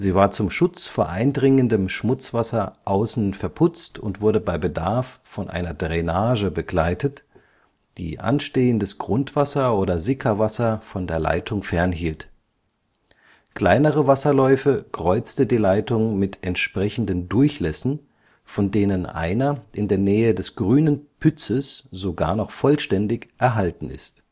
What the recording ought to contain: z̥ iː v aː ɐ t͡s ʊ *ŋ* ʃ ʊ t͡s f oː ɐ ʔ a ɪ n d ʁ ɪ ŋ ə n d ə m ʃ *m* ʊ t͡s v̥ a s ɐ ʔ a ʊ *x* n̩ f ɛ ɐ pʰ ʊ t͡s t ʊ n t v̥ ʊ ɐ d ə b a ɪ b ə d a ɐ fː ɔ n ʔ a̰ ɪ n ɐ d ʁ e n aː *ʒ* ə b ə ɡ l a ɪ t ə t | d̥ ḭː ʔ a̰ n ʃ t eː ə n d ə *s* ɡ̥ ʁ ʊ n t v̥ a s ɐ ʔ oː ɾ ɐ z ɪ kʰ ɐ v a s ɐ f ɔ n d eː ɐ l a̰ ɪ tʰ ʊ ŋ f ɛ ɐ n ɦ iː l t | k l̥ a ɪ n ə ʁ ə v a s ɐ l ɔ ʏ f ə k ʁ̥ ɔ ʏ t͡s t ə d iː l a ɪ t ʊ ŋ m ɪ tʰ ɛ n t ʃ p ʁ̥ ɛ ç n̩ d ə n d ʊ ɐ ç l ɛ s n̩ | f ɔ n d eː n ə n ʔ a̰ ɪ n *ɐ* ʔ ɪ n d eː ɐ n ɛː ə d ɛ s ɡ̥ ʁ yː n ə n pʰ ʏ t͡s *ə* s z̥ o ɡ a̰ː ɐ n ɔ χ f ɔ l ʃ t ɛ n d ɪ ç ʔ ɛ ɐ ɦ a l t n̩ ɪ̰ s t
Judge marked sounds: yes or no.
no, yes, no, yes, yes, yes, yes

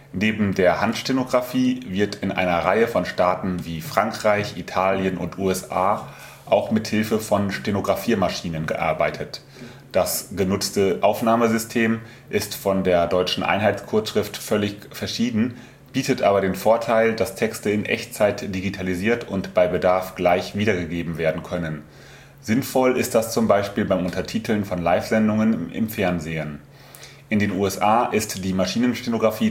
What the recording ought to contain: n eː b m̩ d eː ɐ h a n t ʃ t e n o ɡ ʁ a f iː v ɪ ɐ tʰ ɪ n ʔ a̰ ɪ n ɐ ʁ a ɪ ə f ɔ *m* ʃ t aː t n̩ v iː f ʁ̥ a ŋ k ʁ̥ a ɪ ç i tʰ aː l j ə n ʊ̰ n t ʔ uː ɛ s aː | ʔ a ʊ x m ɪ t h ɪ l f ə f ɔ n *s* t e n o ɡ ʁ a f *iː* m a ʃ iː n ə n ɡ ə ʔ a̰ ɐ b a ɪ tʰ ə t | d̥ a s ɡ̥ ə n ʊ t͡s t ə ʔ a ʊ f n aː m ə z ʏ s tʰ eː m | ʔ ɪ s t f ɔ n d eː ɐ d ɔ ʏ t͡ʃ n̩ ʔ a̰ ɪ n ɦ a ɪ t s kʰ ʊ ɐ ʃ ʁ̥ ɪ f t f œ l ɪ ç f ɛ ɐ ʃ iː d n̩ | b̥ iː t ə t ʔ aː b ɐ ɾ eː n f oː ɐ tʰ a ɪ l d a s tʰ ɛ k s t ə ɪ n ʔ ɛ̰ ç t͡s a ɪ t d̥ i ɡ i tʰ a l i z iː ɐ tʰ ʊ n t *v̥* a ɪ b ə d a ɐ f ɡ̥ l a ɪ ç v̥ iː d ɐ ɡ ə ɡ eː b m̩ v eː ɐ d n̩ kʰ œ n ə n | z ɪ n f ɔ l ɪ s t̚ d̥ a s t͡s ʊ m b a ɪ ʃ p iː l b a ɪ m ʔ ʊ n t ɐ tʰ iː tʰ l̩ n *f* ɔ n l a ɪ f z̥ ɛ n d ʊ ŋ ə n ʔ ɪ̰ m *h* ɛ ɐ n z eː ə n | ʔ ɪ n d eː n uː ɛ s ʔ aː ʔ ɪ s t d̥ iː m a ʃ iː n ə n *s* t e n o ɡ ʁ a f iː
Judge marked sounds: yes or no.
no, no, yes, no, yes, no, no

